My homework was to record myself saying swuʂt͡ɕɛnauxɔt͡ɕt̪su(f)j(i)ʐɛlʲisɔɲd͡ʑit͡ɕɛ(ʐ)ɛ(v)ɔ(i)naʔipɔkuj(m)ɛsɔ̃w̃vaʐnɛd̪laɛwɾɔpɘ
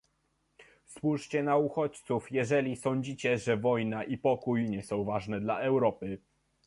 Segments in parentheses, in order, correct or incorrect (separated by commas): correct, incorrect, correct, correct, incorrect, incorrect